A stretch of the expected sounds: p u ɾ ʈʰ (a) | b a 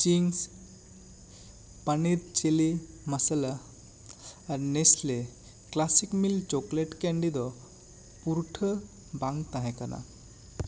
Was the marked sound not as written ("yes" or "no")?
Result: yes